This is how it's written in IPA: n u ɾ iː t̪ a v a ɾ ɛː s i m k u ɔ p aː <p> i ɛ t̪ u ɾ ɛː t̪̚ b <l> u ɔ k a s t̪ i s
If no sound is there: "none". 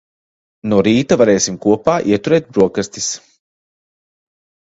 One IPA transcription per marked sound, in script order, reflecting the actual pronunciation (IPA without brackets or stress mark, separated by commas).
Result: ʔ, ɾ